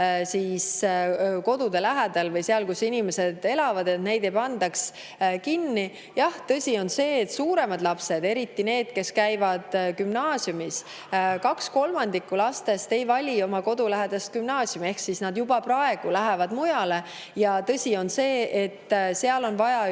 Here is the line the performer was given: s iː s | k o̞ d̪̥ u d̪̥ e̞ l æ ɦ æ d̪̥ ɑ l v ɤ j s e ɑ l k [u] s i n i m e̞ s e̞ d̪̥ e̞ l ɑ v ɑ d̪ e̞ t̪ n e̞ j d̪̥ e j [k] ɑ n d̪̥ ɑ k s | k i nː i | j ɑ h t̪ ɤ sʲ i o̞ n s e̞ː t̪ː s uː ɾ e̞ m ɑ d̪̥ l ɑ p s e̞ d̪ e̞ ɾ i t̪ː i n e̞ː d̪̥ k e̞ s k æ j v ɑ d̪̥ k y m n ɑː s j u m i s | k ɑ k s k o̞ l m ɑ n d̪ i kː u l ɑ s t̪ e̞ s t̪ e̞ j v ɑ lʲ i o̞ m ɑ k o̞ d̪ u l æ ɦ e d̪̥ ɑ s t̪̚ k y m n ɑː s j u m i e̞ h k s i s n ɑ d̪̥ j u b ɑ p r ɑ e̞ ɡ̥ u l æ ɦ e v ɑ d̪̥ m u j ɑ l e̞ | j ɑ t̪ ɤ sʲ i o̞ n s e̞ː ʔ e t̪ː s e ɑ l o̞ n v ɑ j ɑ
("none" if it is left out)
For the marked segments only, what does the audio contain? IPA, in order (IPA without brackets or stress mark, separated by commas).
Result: u, p